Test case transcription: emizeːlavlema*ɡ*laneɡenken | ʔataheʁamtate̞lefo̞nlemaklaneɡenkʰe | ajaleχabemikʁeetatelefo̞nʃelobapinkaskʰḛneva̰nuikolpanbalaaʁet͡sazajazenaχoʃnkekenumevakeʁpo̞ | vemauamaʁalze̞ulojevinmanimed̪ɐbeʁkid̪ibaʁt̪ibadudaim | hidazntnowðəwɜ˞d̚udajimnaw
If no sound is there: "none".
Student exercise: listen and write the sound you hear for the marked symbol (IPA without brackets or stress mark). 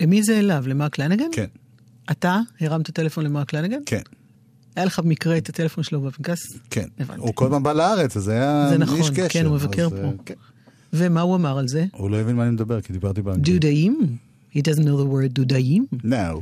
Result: k